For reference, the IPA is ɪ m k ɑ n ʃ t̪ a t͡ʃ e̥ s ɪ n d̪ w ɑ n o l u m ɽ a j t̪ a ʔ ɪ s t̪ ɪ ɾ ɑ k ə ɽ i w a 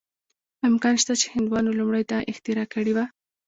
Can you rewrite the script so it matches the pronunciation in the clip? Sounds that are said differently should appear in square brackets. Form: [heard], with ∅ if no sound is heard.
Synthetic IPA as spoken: ɪ m k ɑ n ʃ t̪ a t͡ʃ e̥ [h] ɪ n d̪ w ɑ n o l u m ɽ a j t̪ a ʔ ɪ [x] t̪ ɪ ɾ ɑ k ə ɽ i w a